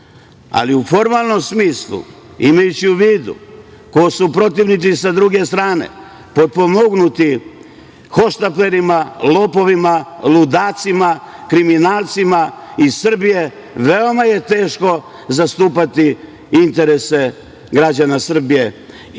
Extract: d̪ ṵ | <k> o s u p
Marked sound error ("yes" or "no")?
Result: no